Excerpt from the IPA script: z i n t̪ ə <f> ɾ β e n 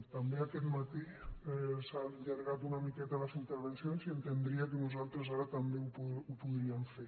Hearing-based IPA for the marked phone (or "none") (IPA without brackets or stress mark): none